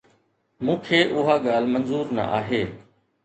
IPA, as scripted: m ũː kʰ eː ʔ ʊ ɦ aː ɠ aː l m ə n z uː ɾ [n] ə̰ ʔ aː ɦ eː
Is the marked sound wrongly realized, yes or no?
no